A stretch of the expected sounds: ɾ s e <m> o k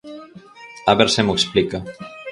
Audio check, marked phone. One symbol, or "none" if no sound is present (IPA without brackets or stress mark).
m